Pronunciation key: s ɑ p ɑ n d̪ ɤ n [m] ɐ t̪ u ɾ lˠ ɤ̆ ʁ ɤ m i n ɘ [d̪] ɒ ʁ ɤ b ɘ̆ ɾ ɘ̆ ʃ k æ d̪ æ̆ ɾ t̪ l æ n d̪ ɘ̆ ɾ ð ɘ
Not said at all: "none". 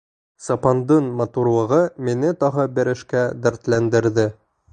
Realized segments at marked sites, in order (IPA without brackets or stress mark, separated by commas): m, t̪